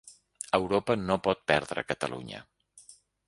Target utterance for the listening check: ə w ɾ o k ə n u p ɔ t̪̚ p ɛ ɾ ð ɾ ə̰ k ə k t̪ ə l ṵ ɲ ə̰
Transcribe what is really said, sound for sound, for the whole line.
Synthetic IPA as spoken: ə w ɾ o p ə n o p ɔ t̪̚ p ɛ ɾ ð ɾ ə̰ k ə t̪ ə l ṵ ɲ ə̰